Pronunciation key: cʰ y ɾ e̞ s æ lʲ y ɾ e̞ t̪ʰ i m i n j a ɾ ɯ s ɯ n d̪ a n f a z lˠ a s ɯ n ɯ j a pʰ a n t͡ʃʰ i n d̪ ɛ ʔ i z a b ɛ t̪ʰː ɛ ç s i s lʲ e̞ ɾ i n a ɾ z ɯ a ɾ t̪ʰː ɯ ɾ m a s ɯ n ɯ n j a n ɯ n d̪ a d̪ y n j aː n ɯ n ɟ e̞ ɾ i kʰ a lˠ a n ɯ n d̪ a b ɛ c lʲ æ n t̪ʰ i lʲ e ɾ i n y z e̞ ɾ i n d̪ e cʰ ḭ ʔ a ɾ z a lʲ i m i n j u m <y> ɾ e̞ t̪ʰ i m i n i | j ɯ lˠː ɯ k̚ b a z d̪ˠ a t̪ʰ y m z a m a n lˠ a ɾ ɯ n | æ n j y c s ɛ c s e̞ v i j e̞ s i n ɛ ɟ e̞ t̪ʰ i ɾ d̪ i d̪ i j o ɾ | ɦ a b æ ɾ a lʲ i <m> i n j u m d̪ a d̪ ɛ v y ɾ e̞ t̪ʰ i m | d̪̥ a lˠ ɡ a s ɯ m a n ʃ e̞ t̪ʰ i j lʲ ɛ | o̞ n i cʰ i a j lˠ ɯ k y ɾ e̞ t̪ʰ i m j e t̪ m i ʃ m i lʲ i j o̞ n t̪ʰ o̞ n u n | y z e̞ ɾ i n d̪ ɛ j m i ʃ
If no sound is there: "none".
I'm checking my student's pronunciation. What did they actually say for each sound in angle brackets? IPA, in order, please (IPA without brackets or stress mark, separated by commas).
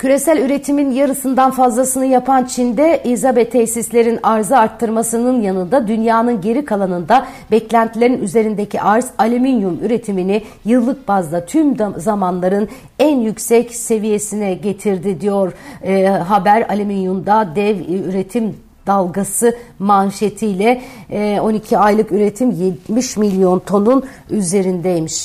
y, m